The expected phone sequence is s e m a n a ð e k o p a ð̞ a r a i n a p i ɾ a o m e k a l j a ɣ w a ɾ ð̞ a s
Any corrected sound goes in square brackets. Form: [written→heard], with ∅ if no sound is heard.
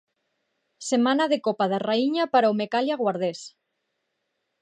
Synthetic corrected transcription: s e m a n a ð e k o p a ð̞ a r a i [n→ɲ] a p [i→a] ɾ a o m e k a l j a ɣ w a ɾ ð̞ [a→e] s